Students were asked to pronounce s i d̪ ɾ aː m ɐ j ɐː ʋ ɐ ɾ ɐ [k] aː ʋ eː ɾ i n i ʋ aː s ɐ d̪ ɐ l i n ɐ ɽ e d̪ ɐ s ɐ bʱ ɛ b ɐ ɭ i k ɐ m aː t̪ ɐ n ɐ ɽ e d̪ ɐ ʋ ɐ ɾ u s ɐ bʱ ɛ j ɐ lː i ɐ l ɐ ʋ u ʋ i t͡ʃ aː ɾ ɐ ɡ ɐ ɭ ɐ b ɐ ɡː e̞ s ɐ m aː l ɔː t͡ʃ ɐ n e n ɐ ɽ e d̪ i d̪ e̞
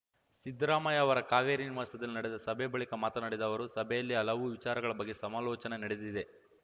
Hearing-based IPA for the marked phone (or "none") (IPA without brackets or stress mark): k